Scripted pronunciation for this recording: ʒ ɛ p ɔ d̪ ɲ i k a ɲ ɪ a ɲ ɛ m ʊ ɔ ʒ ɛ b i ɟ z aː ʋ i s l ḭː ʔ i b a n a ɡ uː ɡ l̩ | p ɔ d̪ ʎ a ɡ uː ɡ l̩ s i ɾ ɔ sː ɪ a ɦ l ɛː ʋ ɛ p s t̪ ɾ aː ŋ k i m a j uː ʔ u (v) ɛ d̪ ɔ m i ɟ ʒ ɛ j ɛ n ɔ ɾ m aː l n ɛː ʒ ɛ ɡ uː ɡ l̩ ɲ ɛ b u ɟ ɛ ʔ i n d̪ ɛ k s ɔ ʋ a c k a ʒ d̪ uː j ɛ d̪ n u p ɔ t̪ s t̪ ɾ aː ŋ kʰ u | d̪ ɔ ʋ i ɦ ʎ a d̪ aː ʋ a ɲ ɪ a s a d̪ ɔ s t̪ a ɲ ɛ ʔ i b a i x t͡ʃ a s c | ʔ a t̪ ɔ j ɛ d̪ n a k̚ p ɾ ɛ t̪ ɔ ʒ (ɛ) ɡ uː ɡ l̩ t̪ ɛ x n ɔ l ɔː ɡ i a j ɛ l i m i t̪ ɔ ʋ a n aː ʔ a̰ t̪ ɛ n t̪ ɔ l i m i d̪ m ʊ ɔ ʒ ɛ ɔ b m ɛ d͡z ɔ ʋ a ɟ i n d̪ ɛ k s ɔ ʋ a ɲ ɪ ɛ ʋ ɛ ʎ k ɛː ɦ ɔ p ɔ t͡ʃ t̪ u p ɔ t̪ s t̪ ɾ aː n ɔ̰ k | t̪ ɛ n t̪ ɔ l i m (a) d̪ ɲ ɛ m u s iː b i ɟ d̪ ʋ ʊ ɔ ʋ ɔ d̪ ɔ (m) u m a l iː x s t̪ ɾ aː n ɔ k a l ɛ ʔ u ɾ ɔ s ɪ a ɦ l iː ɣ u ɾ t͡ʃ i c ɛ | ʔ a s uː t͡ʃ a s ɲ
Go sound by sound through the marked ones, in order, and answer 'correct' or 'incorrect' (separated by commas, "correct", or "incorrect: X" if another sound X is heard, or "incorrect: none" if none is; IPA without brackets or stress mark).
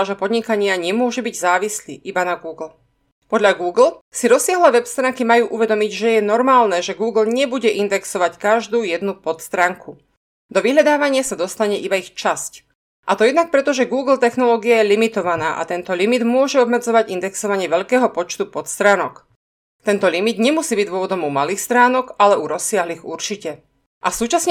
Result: incorrect: ʋ, correct, incorrect: i, correct